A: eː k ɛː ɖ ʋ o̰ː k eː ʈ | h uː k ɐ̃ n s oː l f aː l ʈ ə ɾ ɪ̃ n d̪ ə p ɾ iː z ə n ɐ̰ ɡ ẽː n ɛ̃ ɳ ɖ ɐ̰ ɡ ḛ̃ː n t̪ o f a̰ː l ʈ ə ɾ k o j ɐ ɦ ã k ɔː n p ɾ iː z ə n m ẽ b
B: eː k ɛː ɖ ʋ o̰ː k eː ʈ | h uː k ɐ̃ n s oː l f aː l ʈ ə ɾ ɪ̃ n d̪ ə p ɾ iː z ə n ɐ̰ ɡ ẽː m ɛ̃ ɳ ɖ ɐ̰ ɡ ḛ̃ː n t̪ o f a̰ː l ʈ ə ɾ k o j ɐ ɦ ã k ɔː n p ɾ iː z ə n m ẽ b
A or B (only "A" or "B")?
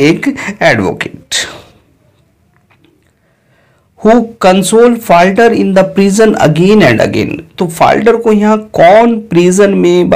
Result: A